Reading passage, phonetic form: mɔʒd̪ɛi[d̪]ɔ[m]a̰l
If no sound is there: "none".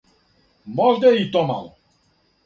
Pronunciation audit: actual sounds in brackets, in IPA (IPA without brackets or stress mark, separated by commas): t̪, m